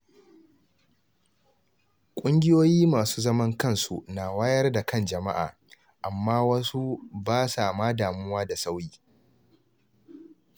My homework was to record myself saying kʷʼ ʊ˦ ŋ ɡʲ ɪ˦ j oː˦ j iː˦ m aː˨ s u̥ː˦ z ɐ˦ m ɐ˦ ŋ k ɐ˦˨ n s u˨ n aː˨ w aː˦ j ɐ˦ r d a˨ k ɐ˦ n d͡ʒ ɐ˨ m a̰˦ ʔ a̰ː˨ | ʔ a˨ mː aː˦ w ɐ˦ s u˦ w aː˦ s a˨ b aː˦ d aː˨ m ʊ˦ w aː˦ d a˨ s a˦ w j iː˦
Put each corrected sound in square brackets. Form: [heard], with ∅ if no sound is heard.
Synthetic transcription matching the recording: kʷʼ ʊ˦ ŋ ɡʲ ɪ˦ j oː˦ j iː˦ m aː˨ s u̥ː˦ z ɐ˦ m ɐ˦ ŋ k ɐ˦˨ n s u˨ n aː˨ w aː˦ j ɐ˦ r d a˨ k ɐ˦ n d͡ʒ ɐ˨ m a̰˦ ʔ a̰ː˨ | ʔ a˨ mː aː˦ w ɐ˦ s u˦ [b] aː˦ s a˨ [m] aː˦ d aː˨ m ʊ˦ w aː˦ d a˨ s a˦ w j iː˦

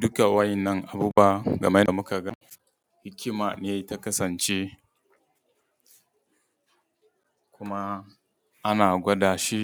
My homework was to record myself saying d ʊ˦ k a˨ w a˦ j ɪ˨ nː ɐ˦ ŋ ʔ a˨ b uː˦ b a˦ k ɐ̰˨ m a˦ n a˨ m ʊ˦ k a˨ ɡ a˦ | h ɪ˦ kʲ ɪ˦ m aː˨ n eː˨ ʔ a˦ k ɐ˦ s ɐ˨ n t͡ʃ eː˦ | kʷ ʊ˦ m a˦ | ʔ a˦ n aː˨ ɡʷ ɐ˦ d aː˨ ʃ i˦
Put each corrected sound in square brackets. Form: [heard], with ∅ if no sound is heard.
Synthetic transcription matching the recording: d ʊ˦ k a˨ w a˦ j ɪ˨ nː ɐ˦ ŋ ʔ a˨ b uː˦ b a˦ [ɡ] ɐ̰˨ m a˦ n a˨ m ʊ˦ k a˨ ɡ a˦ | h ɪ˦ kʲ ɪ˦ m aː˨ n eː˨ [t] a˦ k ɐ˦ s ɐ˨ n t͡ʃ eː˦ | kʷ ʊ˦ m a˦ | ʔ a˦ n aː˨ ɡʷ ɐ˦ d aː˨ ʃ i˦

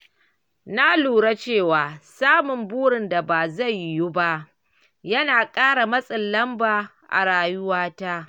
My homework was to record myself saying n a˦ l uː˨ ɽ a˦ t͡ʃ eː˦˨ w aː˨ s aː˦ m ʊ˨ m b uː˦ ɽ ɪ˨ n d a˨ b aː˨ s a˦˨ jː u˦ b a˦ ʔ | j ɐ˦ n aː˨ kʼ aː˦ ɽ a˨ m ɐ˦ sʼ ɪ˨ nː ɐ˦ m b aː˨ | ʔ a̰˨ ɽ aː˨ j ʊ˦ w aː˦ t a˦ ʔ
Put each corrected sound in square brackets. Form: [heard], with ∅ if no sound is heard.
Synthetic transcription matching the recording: n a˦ l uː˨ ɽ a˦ t͡ʃ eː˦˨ w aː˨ s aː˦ m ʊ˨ m b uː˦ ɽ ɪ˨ n d a˨ b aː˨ [z] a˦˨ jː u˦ b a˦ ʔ | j ɐ˦ n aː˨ kʼ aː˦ ɽ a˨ m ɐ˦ sʼ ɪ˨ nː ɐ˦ m b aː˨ | ʔ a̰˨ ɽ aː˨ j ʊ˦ w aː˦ t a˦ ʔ

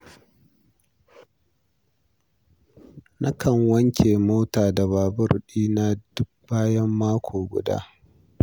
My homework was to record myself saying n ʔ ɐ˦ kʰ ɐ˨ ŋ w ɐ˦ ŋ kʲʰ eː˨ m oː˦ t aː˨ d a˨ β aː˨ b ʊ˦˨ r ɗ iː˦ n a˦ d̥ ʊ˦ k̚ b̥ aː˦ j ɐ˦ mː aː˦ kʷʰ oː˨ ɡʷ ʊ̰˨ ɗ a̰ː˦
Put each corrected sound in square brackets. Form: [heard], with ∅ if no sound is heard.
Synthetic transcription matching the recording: n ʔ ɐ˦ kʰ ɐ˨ ŋ w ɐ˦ ŋ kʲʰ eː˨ m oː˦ t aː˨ d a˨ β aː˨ b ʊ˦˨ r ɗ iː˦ n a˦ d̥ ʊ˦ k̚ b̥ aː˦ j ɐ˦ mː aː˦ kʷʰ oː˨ ɡʷ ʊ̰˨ [d] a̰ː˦

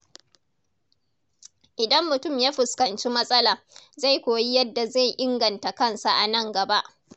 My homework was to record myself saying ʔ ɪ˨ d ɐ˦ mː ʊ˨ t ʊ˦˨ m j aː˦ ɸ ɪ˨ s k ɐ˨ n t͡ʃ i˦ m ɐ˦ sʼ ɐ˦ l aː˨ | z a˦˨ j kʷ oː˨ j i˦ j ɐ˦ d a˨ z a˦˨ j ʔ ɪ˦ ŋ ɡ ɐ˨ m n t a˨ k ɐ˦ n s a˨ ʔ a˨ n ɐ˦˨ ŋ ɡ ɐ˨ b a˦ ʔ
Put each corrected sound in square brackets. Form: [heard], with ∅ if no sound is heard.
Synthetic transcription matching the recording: ʔ ɪ˨ d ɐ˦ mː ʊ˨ t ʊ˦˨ m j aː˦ ɸ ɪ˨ s k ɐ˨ n t͡ʃ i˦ m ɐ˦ sʼ ɐ˦ l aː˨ | z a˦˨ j kʷ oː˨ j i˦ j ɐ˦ [dː] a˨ z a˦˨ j ʔ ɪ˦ ŋ ɡ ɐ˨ [∅] n t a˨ k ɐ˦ n s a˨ ʔ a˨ n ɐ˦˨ ŋ ɡ ɐ˨ b a˦ ʔ

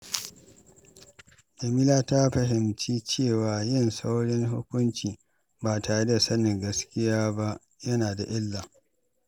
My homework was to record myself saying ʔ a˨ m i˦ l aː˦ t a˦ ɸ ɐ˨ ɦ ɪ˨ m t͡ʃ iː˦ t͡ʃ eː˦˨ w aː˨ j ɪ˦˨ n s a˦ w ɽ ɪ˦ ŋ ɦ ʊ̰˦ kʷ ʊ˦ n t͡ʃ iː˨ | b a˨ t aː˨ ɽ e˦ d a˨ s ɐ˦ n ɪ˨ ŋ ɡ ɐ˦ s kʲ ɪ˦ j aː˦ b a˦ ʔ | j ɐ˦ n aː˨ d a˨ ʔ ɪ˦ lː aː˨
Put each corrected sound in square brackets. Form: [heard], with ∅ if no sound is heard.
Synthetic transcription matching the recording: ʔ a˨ m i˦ l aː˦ t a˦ ɸ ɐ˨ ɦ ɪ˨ m t͡ʃ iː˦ t͡ʃ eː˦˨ w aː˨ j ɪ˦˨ n s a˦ w ɽ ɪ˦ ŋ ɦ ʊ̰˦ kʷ ʊ˦ n t͡ʃ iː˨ | b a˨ t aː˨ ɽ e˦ d a˨ s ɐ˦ n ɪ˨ ŋ ɡ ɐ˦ s kʲ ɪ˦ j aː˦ b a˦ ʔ | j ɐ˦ n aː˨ d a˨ ʔ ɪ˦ lː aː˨

